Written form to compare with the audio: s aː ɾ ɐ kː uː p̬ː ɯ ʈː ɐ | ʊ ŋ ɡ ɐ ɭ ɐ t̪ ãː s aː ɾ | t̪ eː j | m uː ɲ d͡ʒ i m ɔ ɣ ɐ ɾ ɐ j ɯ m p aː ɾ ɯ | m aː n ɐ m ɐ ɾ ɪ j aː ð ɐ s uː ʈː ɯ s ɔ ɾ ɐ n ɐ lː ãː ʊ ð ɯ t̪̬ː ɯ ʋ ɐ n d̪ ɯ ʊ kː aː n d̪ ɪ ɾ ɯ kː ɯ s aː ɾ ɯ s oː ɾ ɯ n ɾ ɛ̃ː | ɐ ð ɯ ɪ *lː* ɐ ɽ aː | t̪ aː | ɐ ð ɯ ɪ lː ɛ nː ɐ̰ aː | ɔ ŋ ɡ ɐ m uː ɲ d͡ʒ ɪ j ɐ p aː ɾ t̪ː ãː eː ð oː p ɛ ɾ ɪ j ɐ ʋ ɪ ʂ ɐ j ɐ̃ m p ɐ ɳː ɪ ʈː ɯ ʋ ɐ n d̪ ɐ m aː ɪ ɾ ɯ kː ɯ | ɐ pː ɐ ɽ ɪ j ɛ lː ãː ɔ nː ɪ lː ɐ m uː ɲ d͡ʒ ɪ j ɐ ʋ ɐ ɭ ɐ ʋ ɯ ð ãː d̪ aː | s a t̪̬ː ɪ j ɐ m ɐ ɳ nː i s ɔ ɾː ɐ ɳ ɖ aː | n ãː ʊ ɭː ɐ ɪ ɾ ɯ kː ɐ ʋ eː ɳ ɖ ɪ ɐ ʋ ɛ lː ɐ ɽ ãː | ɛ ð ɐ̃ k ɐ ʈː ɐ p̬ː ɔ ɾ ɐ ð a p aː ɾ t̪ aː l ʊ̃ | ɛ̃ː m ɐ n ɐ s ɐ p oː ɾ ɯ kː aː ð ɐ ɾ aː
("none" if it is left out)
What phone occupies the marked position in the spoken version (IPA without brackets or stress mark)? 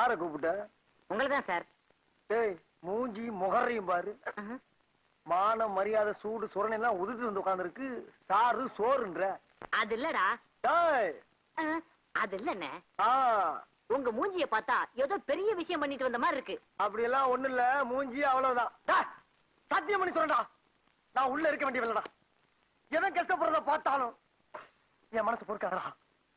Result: lː